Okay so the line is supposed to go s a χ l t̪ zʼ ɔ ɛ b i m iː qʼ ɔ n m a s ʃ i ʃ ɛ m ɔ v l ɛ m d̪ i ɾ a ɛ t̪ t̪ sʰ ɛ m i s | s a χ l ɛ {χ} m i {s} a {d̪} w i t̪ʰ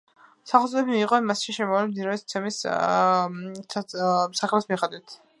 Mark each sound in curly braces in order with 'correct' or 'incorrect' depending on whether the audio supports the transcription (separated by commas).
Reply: incorrect, incorrect, correct